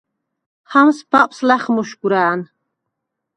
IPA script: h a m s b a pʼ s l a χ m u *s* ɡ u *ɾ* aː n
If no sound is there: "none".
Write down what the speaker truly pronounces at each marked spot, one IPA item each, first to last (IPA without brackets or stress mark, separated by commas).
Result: ʃ, ɾ